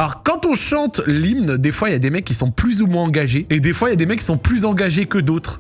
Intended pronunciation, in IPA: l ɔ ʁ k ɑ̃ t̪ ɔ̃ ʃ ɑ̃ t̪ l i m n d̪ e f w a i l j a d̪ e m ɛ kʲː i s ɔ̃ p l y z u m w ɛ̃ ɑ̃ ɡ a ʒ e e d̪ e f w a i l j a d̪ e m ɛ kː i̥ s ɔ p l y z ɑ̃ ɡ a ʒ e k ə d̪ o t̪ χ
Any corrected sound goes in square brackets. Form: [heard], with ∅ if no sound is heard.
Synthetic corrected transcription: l ɔ ʁ k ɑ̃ t̪ ɔ̃ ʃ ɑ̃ t̪ l i m n d̪ e f w a i l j a d̪ e m ɛ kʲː i s ɔ̃ p l y z u m w ɛ̃ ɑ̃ ɡ a ʒ e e d̪ e f w a i l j a d̪ e m ɛ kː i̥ s [ɔ̃] p l y z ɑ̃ ɡ a ʒ e k ə d̪ o t̪ χ